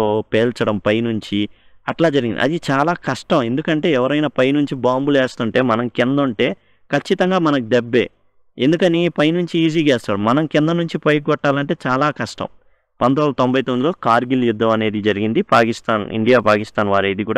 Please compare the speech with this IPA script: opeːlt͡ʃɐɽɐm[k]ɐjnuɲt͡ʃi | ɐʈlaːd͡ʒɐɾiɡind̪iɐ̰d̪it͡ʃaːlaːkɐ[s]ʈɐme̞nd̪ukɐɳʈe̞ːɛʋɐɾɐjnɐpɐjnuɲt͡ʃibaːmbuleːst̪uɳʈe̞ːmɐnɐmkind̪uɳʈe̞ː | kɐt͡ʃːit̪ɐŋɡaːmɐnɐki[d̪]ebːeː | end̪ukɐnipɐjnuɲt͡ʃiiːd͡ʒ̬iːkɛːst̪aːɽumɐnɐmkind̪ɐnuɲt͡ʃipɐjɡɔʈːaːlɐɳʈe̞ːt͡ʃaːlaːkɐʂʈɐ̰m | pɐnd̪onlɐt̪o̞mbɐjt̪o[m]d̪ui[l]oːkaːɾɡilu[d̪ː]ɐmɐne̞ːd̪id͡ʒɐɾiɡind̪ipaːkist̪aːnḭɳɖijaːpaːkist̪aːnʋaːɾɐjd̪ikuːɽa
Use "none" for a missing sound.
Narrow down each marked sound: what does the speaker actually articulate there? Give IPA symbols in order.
p, ʂ, d̪, n, l, d̪ː

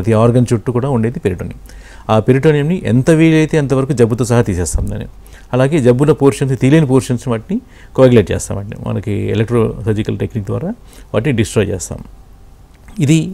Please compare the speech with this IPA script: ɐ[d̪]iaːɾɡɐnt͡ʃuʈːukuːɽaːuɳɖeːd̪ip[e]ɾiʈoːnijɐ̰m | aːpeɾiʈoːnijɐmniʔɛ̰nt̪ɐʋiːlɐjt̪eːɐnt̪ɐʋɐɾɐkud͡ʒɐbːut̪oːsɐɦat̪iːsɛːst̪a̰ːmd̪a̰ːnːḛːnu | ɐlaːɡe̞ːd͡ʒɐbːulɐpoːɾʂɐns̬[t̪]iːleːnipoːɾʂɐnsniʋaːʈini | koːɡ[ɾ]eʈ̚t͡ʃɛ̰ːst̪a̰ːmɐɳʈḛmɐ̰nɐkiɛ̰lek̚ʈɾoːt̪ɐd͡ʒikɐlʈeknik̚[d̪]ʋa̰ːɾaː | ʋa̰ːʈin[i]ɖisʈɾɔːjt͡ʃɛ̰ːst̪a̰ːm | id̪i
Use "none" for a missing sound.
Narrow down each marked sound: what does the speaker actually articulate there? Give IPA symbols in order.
t̪, e, t̪, l, d̪, i

